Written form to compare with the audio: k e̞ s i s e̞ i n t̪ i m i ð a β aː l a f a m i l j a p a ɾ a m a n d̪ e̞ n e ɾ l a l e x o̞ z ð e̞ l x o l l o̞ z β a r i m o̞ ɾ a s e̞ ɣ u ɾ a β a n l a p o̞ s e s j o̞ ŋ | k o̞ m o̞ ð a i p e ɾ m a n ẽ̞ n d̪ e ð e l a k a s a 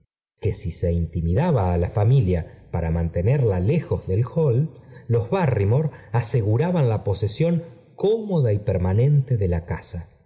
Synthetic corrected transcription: k e̞ s i s e̞ i n t̪ i m i ð a β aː l a f a m i l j a p a ɾ a m a n t̪ e̞ n e ɾ l a l e x o̞ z ð e̞ l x o l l o̞ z β a r i m o̞ ɾ a s e̞ ɣ u ɾ a β a n l a p o̞ s e s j o̞ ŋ | k o̞ m o̞ ð a i p e ɾ m a n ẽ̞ n t̪ e ð e l a k a s a